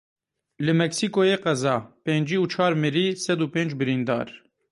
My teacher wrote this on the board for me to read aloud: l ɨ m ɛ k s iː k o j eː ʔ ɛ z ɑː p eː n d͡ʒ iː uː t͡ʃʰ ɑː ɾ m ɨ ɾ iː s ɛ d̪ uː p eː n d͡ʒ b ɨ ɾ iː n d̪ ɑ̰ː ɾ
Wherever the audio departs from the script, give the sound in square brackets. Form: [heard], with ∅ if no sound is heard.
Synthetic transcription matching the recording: l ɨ m ɛ k s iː k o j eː [q] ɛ z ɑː p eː n d͡ʒ iː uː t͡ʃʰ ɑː ɾ m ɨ ɾ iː s ɛ d̪ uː p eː n d͡ʒ b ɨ ɾ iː n d̪ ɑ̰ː ɾ